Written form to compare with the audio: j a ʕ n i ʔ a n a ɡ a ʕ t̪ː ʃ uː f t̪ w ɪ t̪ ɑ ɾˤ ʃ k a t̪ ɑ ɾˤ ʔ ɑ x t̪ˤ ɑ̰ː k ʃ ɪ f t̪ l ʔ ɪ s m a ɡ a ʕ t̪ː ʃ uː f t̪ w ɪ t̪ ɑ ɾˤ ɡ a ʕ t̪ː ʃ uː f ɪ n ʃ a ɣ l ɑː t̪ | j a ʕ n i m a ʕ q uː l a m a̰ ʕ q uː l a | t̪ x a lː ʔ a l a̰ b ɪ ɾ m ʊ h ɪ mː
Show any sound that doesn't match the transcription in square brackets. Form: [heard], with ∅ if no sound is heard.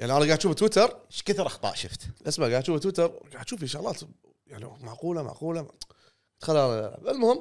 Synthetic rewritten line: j a ʕ n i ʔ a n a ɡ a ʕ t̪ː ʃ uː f t̪ w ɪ t̪ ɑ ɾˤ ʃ k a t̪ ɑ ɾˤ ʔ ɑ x t̪ˤ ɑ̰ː [ʔ] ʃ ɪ f t̪ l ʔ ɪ s m a ɡ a ʕ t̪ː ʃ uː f t̪ w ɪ t̪ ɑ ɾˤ ɡ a ʕ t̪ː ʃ uː f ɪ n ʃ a ɣ l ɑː t̪ | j a ʕ n i m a ʕ q uː l a m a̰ ʕ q uː l a | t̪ x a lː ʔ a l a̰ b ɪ [l] m ʊ h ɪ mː